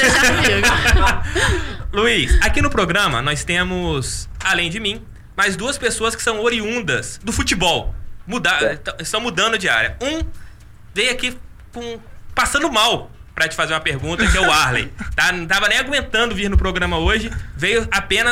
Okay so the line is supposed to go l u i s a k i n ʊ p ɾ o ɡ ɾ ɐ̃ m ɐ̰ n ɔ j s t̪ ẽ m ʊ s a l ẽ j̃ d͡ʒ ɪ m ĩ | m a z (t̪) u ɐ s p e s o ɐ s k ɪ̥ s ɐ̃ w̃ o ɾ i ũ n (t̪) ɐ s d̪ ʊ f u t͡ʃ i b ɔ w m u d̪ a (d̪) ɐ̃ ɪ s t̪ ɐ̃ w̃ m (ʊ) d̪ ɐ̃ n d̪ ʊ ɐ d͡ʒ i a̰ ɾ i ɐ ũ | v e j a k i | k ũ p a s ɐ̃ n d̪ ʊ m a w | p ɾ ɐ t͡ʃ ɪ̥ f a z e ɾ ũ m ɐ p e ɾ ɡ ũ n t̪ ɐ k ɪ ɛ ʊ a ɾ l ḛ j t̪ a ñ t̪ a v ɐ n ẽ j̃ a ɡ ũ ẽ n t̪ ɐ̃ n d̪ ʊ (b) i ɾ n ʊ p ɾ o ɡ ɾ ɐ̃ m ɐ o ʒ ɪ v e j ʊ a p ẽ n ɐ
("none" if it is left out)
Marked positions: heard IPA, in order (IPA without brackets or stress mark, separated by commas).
d̪, d̪, t̪, u, v